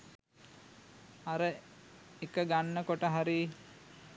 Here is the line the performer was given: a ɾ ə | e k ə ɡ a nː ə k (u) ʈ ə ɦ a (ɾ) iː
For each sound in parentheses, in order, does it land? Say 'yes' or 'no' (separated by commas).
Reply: no, yes